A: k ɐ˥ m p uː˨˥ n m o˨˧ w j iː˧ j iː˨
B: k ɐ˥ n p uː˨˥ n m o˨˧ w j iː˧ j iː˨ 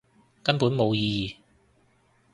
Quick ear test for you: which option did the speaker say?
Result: B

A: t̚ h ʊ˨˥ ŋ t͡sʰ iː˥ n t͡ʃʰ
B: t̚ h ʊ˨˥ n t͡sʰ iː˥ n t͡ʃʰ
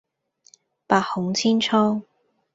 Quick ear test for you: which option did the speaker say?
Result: A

